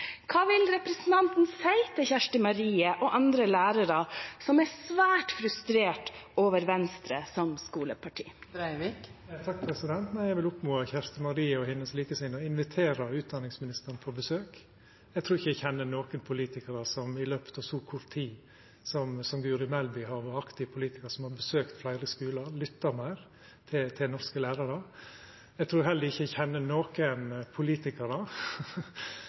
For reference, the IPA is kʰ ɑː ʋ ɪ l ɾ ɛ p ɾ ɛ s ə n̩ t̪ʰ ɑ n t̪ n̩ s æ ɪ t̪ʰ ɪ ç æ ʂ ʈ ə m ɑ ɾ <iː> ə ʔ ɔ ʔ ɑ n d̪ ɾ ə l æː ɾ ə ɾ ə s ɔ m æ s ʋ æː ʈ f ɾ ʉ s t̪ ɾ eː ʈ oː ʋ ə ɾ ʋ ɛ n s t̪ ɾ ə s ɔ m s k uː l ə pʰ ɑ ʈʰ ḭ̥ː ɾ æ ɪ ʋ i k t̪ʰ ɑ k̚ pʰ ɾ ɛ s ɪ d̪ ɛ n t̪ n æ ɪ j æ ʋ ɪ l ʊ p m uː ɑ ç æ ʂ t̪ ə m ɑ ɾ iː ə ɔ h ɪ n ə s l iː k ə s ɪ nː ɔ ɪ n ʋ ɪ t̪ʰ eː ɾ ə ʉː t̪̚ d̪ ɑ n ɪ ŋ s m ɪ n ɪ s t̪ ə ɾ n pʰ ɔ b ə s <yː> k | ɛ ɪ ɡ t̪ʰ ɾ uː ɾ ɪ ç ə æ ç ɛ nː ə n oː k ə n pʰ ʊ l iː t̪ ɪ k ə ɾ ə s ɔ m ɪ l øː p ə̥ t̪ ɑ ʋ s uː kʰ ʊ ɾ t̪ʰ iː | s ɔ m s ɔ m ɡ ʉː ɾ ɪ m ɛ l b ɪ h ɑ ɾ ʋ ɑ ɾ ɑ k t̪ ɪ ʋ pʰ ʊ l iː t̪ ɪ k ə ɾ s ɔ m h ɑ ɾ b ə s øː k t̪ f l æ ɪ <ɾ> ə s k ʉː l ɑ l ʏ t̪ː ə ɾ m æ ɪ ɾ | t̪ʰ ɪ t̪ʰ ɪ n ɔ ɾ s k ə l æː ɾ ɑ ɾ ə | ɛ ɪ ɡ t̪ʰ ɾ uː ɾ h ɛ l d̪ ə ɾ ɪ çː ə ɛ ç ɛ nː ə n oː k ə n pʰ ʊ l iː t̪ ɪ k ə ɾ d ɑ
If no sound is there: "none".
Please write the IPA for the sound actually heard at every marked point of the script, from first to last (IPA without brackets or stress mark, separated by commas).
iː, øː, ɾ